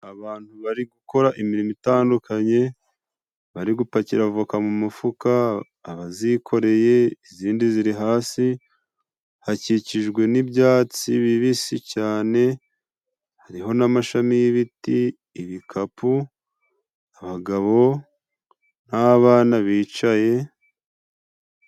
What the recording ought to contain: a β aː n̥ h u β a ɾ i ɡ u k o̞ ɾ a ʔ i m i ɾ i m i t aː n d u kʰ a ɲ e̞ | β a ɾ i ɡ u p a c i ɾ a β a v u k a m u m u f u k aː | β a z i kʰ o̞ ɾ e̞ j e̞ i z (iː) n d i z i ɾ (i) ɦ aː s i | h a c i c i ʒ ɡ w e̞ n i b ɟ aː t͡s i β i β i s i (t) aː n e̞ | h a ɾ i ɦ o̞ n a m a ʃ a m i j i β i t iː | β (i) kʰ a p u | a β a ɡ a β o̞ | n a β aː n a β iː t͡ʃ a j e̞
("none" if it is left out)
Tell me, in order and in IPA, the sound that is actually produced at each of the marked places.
iː, i, c, i

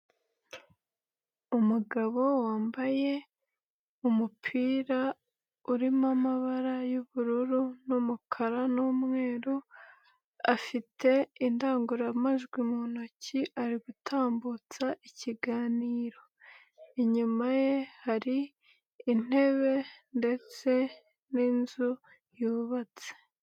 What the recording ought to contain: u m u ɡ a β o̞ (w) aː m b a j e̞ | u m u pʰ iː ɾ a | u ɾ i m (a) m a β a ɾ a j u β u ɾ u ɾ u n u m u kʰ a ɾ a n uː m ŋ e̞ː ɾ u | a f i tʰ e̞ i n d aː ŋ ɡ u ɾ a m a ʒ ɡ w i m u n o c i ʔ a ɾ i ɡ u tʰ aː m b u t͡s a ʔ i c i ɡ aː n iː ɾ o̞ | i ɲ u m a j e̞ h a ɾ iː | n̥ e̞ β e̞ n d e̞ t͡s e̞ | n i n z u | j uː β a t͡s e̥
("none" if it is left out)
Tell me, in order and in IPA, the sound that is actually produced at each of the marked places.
w, a

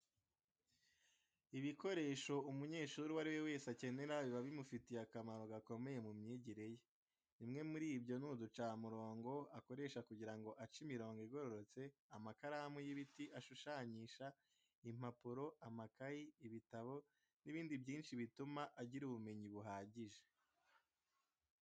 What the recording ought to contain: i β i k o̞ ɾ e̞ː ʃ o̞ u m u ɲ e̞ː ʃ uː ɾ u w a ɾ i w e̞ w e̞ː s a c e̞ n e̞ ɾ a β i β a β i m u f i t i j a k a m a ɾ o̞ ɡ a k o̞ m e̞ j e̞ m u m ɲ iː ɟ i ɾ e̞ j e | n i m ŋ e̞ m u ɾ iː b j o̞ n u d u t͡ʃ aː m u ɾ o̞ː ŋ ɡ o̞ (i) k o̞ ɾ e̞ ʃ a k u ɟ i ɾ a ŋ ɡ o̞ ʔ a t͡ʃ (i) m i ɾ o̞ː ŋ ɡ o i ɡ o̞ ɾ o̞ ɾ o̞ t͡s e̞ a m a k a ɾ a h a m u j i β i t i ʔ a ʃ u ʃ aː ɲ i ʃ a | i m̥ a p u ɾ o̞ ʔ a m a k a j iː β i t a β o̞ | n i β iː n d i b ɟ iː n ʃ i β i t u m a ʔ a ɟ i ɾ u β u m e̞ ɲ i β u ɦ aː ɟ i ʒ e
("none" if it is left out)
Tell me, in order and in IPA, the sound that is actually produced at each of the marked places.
a, i

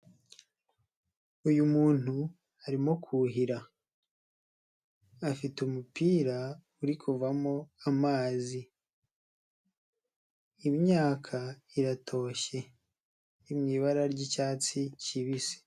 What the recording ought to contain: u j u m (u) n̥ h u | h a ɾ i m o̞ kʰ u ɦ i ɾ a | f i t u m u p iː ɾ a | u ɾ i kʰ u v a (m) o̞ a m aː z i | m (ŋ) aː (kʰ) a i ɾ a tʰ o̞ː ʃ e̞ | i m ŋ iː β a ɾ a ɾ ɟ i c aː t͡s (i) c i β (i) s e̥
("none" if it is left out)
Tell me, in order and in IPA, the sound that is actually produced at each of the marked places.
uː, m, ɲ, kʰ, i, i

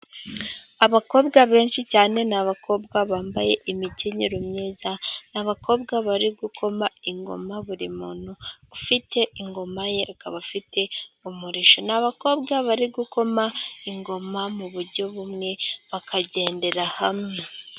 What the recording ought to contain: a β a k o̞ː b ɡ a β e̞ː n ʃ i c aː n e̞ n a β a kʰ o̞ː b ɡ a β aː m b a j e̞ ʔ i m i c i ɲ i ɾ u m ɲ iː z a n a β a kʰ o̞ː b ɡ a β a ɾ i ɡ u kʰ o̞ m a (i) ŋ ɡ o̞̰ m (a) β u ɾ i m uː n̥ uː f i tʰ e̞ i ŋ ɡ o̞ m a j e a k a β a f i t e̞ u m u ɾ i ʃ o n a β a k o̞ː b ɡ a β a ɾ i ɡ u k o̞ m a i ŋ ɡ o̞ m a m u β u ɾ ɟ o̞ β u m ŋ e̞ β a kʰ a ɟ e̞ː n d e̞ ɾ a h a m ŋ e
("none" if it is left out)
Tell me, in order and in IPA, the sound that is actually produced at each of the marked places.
i, a

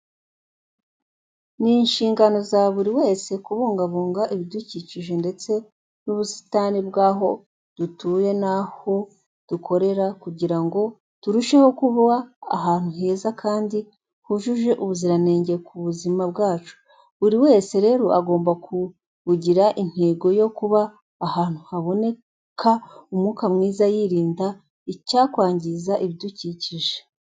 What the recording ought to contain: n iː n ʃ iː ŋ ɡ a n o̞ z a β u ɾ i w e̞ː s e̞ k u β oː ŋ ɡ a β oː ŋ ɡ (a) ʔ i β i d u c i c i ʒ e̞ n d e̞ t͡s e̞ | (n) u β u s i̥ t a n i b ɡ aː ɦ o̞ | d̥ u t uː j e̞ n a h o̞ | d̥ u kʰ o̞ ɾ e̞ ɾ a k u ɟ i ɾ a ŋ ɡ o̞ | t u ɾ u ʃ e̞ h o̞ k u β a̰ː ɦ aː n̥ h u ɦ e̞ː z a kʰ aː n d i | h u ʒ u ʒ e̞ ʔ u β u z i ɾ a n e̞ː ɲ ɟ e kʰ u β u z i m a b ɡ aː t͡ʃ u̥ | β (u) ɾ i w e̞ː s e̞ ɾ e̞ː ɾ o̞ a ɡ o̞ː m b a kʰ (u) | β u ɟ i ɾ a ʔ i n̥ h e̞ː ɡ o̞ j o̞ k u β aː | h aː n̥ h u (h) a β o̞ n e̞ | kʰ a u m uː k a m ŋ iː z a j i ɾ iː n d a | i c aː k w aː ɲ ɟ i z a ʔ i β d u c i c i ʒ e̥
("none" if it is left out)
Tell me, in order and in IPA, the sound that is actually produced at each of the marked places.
a, n, u, u, h

